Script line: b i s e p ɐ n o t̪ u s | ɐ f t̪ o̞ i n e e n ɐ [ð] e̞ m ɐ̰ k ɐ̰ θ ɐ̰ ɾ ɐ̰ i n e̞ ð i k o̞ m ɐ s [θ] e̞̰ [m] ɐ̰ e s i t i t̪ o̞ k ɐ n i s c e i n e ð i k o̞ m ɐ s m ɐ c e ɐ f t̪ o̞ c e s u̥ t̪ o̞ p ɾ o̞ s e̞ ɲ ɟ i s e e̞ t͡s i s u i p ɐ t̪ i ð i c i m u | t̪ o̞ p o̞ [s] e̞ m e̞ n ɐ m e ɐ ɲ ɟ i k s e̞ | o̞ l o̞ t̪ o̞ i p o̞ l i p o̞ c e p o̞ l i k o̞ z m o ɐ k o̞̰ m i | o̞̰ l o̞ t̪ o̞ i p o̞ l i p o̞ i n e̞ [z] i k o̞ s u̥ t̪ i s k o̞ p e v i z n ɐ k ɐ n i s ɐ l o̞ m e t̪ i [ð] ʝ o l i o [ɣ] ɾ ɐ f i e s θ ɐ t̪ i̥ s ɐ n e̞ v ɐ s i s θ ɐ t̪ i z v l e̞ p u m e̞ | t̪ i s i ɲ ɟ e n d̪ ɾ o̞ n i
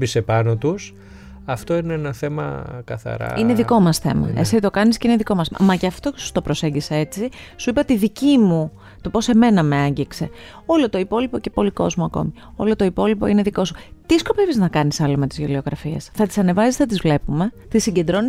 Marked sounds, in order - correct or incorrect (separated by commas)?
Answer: incorrect, correct, correct, correct, incorrect, incorrect, correct